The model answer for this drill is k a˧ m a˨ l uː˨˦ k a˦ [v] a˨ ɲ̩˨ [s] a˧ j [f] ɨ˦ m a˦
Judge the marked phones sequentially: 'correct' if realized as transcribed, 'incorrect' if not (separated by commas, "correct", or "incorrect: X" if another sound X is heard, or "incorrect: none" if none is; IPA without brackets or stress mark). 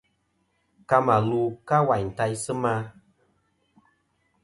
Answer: incorrect: w, incorrect: t, incorrect: s